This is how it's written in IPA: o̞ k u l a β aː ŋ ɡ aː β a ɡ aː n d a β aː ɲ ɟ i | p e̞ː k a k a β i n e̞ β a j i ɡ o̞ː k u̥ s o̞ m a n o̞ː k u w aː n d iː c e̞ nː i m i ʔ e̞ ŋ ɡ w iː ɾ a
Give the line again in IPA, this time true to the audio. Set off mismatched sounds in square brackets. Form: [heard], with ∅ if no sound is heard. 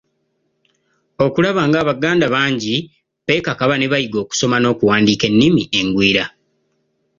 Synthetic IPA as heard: o̞ k u l a β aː ŋ ɡ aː β a ɡ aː n d a β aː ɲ ɟ i | p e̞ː k a k a β [a] n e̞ β a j i ɡ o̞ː k u̥ s o̞ m a n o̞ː k u w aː n d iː [k] e̞ nː i m i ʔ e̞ ŋ ɡ w iː ɾ a